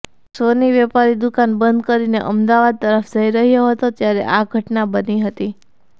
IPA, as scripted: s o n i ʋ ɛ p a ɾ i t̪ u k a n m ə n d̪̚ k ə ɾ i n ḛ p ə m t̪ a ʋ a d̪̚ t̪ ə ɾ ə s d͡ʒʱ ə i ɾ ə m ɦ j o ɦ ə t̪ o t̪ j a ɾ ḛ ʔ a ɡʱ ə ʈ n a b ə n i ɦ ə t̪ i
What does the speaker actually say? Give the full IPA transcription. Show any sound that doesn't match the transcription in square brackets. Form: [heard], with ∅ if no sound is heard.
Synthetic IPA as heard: s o n i ʋ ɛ p a ɾ i [d̪] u k a n [b] ə n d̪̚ k ə ɾ i n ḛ [ʔ] ə m [d̪] a ʋ a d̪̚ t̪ ə ɾ ə [f] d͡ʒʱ ə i ɾ ə [∅] ɦ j o ɦ ə t̪ o t̪ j a ɾ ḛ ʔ a ɡʱ ə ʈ n a b ə n i ɦ ə t̪ i